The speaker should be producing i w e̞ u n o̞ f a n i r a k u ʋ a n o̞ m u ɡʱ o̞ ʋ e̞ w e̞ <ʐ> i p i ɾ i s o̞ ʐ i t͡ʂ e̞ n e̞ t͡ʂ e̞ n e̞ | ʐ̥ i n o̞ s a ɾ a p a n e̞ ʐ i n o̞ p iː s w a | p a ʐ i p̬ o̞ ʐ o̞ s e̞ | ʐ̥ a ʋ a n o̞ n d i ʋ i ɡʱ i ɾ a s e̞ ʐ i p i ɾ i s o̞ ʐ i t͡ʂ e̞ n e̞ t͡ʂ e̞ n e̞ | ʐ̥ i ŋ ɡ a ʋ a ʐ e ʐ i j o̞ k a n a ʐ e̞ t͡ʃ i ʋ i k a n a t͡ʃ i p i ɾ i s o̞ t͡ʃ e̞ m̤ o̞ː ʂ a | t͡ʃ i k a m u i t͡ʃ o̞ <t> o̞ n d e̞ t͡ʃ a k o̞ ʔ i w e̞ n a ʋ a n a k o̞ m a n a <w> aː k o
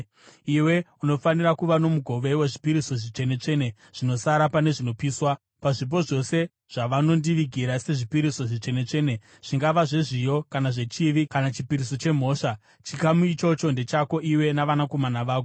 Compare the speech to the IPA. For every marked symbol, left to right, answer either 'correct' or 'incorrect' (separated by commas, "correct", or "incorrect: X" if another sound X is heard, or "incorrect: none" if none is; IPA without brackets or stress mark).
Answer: correct, incorrect: t͡ʃ, incorrect: ʋ